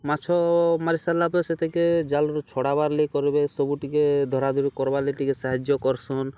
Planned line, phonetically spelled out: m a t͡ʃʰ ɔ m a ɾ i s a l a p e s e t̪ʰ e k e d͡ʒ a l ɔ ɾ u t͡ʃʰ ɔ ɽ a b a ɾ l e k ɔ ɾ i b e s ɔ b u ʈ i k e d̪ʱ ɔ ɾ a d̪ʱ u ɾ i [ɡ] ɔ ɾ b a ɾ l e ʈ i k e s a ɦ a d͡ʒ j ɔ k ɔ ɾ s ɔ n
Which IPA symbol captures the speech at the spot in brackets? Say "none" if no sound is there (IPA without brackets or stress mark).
k